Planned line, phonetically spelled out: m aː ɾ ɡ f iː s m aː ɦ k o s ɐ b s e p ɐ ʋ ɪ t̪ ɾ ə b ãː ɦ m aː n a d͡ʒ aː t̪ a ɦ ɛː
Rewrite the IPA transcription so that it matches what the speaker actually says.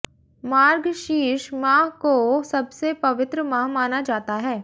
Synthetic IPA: m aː ɾ ɡ ʃ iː ʃ m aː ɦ k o s ɐ b s e p ɐ ʋ ɪ t̪ ɾ ə m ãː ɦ m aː n a d͡ʒ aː t̪ a ɦ ɛː